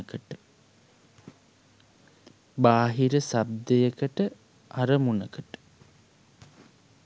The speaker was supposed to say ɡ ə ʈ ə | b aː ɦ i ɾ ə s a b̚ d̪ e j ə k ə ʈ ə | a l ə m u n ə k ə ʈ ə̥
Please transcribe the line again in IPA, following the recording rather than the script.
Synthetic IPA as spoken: k ə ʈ ə | b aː ɦ i ɾ ə s a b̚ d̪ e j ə k ə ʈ ə | a ɾ ə m u n ə k ə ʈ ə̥